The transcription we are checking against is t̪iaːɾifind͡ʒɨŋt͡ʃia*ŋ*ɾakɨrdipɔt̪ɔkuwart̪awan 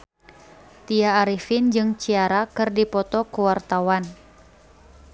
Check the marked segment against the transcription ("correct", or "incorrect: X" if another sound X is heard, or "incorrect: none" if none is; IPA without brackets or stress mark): incorrect: none